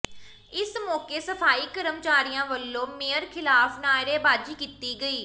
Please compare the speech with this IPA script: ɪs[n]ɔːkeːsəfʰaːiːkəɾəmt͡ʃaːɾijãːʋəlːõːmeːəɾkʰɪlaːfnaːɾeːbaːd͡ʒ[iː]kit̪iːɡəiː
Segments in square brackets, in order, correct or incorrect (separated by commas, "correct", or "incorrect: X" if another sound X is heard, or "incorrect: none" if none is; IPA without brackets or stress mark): incorrect: m, correct